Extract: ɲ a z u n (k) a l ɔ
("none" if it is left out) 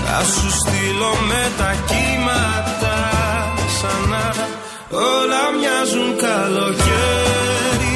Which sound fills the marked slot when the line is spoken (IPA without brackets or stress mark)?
k